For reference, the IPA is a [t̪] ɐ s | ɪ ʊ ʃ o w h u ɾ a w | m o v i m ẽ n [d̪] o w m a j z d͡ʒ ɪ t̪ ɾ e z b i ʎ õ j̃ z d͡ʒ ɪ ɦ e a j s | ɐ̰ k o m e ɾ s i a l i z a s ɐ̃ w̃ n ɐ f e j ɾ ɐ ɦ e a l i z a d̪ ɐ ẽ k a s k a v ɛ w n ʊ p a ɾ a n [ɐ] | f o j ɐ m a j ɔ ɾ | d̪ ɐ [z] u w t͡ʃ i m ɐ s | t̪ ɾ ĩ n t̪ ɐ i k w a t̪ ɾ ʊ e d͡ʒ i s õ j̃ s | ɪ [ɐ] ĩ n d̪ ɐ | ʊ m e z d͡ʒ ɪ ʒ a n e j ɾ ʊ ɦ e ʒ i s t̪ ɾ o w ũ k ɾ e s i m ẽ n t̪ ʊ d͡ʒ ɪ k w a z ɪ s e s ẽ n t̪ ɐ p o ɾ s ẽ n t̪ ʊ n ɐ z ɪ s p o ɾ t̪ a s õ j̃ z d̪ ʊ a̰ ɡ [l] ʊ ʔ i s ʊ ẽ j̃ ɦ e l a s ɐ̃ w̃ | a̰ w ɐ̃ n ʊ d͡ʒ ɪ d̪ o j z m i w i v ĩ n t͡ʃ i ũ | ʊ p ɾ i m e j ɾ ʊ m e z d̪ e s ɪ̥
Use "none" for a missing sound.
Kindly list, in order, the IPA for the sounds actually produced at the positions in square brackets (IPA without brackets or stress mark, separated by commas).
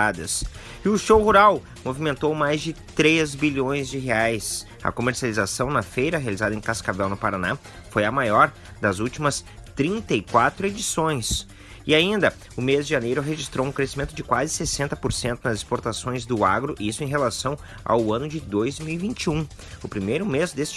d̪, t̪, a, z, a, ɾ